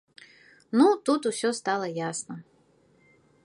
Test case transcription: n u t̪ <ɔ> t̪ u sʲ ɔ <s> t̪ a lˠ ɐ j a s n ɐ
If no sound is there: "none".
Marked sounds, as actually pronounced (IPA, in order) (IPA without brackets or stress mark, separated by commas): u, s